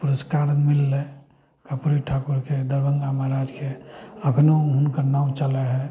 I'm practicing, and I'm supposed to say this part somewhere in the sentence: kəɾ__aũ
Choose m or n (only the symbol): n